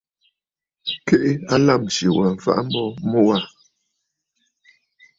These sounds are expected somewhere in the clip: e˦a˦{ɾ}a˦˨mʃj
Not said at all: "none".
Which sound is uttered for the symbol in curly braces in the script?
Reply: l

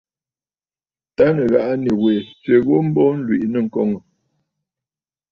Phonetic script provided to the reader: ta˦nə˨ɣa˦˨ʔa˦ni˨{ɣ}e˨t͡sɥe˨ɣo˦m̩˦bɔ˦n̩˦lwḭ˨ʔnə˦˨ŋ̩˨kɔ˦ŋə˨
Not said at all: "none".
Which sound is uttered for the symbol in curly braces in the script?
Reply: w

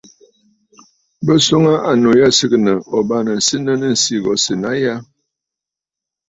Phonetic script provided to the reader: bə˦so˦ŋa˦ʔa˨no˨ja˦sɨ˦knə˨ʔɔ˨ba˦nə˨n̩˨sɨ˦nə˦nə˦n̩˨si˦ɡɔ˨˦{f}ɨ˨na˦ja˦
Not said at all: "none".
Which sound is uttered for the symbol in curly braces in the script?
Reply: s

